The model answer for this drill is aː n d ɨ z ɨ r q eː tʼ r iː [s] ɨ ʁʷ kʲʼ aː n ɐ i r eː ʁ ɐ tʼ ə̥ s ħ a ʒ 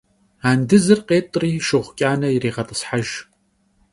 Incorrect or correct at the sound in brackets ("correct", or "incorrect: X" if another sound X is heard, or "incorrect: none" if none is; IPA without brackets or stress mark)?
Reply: incorrect: ʃ